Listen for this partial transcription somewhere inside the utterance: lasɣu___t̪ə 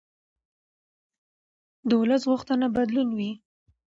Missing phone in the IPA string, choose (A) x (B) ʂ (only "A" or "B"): A